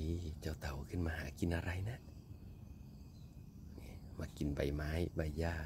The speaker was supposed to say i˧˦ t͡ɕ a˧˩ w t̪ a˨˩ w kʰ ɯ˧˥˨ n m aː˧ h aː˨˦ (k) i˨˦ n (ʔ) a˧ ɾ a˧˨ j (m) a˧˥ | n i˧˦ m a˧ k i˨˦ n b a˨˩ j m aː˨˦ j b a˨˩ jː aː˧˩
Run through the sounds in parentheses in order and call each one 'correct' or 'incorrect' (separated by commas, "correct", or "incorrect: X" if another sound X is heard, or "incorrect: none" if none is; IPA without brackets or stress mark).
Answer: correct, correct, incorrect: n